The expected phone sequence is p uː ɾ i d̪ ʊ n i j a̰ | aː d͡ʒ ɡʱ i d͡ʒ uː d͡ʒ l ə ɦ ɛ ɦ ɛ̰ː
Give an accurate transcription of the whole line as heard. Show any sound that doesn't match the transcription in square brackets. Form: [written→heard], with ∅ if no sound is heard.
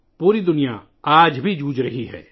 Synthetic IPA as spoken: p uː ɾ i d̪ ʊ n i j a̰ | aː d͡ʒ [ɡʱ→bʱ] i d͡ʒ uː d͡ʒ [l→ɾ] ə ɦ [ɛ→i] ɦ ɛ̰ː